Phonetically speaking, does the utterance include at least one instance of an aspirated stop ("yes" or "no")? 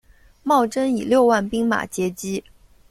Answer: no